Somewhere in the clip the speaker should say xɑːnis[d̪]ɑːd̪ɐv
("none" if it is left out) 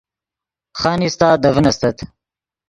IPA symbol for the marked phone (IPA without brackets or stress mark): t̪